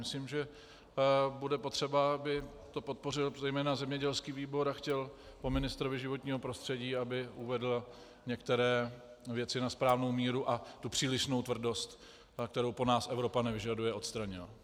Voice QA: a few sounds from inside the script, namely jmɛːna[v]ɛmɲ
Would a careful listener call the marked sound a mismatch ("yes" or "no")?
yes